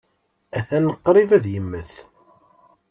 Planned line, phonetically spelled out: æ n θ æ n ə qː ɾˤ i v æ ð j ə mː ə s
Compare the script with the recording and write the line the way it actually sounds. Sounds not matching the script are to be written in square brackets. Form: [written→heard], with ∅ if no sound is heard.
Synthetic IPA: æ [n→∅] θ æ n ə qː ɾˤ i v æ ð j ə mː ə [s→θ]